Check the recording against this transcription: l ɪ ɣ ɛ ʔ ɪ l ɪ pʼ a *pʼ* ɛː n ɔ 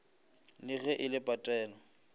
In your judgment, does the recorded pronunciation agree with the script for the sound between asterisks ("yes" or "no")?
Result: no